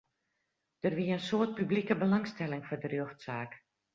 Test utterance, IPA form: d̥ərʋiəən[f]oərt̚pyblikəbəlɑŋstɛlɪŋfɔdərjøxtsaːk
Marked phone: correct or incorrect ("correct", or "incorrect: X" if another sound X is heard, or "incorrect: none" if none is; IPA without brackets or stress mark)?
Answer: incorrect: s